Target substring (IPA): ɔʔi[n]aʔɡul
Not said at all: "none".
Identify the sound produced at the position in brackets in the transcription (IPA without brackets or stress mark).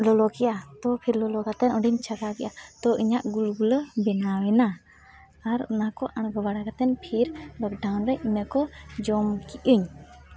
ɲ